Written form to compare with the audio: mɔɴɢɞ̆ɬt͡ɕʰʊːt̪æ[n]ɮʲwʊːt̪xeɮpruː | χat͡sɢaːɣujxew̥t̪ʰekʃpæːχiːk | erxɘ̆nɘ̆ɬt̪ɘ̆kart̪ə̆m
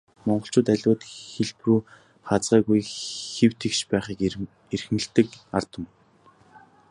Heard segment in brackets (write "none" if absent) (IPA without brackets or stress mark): none